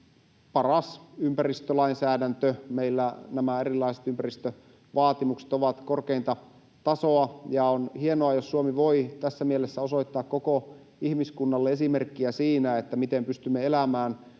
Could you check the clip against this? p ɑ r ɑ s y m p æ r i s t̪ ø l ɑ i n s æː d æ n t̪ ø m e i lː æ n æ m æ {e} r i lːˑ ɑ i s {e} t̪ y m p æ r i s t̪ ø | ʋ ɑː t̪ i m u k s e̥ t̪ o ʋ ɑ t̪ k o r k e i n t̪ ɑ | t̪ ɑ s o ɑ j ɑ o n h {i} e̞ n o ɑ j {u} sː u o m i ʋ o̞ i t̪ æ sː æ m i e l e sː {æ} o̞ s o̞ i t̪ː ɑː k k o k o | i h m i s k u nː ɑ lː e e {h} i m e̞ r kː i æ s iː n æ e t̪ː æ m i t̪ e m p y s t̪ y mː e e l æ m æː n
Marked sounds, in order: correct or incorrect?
correct, correct, correct, incorrect: o, correct, incorrect: s

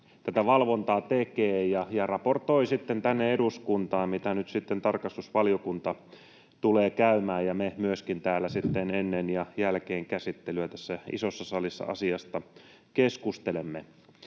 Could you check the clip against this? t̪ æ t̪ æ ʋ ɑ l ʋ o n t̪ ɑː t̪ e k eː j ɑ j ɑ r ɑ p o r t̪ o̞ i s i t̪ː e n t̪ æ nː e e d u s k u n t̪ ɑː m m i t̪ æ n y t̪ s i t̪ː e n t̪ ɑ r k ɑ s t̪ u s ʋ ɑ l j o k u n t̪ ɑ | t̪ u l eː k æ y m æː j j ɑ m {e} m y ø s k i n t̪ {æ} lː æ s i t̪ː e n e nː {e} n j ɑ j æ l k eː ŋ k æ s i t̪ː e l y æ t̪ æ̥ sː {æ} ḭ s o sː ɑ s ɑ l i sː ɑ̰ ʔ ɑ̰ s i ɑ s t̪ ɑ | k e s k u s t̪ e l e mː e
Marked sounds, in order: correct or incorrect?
correct, incorrect: æː, correct, correct

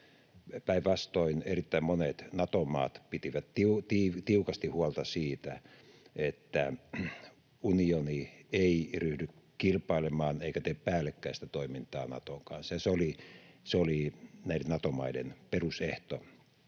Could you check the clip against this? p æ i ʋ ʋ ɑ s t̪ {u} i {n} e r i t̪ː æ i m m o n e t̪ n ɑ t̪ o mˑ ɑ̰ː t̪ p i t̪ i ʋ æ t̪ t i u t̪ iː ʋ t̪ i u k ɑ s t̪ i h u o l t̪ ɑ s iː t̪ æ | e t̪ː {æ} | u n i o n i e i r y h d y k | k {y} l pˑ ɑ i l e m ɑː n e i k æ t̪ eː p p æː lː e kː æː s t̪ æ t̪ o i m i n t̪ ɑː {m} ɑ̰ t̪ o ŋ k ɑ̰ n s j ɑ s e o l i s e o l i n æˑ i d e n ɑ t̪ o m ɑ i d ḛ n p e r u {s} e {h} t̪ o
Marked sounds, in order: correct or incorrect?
incorrect: o, correct, correct, incorrect: i, incorrect: n, correct, correct

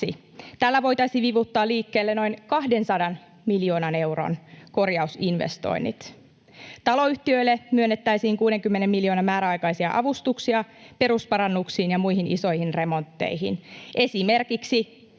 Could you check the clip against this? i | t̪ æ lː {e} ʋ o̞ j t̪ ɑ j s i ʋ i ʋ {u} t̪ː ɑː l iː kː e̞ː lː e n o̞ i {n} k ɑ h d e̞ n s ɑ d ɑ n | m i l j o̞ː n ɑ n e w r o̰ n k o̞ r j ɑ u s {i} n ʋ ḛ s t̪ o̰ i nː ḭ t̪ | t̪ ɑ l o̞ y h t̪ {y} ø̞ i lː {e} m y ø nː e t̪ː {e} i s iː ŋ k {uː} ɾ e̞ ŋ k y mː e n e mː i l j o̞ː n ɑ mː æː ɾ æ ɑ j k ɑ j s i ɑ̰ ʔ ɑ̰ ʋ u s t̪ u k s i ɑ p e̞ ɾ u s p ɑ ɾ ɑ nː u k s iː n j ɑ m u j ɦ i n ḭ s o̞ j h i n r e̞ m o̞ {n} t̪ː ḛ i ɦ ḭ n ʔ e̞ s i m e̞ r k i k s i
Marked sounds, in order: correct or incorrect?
incorrect: æ, correct, correct, correct, incorrect: i, correct, incorrect: æ, correct, correct

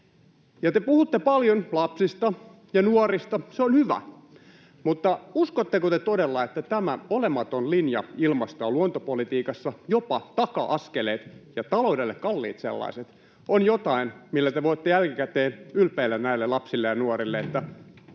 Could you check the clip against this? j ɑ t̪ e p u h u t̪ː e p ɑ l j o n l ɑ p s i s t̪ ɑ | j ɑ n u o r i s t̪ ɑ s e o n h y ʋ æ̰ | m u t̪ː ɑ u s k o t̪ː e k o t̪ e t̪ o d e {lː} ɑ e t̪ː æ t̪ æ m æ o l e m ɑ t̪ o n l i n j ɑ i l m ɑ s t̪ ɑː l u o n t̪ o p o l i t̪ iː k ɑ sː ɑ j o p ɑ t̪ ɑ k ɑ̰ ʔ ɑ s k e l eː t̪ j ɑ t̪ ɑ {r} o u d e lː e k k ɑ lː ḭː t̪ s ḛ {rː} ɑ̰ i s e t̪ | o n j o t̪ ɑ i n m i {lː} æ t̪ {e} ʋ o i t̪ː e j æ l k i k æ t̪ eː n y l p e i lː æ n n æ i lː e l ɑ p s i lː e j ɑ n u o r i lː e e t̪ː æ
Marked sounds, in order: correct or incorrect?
correct, incorrect: l, incorrect: lː, correct, correct

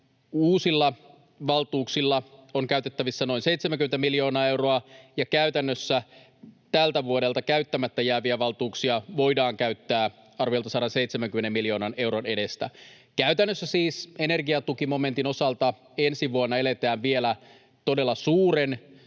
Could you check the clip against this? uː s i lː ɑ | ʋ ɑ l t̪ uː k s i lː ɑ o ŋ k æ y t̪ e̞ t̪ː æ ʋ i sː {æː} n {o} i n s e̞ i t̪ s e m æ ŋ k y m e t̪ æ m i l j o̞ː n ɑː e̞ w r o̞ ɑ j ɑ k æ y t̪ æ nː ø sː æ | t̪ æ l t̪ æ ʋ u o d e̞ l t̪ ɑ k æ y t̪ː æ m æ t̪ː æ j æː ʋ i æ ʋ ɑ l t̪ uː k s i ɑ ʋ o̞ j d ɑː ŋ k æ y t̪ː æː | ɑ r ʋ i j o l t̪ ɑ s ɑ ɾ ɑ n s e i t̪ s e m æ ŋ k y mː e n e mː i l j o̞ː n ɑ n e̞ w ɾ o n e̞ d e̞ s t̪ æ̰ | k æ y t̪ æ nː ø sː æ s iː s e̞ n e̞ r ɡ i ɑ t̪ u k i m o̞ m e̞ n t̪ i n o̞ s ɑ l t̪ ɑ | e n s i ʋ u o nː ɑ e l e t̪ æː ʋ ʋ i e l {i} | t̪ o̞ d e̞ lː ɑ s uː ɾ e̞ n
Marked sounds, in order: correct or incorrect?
incorrect: æ, correct, incorrect: æ

